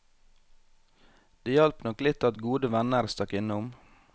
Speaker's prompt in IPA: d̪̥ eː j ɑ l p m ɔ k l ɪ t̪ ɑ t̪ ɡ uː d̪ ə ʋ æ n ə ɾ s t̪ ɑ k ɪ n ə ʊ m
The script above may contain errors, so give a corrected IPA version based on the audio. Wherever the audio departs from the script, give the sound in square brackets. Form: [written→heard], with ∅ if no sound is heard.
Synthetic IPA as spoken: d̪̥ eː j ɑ l p [m→n] ɔ k l ɪ t̪ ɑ t̪ ɡ uː d̪ ə ʋ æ n ə ɾ s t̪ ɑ k ɪ n ə ʊ m